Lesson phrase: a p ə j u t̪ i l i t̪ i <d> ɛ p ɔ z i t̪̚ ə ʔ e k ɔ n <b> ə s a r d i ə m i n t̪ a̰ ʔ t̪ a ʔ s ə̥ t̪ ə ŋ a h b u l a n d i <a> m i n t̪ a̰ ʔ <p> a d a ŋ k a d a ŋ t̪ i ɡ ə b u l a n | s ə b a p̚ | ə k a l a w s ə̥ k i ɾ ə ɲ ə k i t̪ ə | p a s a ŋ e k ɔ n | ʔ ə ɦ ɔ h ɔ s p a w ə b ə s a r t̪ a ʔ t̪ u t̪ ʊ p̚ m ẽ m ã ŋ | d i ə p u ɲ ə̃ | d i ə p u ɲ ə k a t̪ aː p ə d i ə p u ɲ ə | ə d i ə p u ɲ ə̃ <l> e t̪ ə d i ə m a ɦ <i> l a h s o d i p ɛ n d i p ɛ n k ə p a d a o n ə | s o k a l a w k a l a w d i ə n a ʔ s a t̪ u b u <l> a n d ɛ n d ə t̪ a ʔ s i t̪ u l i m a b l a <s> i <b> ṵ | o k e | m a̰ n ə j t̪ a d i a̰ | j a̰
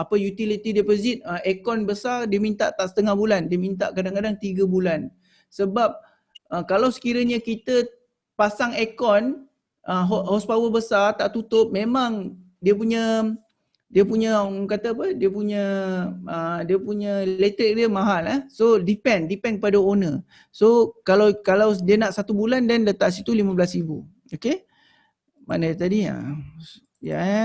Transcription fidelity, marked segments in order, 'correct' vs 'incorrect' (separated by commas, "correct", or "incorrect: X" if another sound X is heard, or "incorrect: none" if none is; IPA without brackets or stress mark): correct, correct, incorrect: ə, incorrect: k, correct, incorrect: a, correct, correct, correct